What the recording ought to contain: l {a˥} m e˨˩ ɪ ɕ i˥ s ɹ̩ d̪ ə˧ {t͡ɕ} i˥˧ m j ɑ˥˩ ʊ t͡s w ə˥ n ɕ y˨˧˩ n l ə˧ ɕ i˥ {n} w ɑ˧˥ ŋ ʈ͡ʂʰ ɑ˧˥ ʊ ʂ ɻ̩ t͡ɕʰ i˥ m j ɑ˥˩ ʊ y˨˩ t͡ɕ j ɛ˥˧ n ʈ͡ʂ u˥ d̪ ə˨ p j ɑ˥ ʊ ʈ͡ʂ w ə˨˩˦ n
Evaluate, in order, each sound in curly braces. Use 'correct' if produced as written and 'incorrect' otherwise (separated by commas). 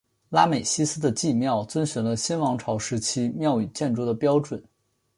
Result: correct, correct, correct